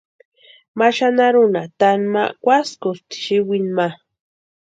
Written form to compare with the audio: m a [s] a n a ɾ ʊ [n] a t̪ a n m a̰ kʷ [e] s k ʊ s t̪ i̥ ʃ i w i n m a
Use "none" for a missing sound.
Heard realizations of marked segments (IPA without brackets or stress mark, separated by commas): ʃ, n, a